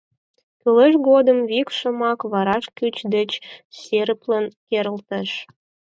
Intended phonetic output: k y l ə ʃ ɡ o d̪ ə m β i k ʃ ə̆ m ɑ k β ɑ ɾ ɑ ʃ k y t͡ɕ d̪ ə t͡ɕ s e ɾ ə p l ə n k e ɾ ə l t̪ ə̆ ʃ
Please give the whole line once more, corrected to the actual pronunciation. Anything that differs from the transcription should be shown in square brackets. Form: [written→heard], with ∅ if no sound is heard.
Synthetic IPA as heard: k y l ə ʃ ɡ o d̪ ə m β i k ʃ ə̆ m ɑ k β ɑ ɾ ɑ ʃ k y t͡ɕ d̪ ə t͡ɕ s e ɾ ə p l ə n k e ɾ ə l t̪ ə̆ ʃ